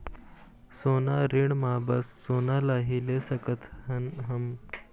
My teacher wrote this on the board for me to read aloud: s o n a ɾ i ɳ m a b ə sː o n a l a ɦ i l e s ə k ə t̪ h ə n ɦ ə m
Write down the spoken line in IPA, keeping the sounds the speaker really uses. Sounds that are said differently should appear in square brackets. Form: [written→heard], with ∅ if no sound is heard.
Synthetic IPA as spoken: s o n a ɾ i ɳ m a b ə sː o n a l a ɦ i l e s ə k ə t̪ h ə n ɦ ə m